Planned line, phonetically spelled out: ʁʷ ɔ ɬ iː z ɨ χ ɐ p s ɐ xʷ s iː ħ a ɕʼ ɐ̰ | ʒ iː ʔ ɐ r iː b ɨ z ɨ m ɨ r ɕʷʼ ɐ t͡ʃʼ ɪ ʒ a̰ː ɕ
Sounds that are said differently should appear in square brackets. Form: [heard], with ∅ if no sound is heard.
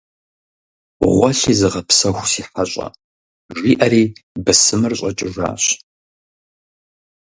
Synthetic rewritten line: ʁʷ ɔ ɬ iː z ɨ [ʁ] ɐ p s ɐ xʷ s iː ħ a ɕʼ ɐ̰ | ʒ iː ʔ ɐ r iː b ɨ [s] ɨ m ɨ r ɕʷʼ ɐ t͡ʃʼ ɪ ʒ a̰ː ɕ